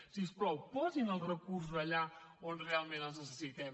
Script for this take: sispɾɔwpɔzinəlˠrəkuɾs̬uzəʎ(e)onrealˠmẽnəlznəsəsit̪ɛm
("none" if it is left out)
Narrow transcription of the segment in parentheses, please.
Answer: a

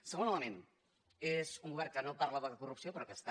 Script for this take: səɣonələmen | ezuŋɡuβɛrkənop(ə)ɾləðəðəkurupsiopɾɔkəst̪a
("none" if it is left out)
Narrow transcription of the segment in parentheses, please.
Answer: a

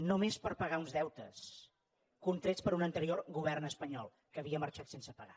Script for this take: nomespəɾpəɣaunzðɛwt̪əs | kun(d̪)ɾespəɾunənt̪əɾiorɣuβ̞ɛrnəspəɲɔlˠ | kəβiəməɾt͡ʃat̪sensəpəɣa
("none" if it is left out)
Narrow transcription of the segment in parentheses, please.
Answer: t̪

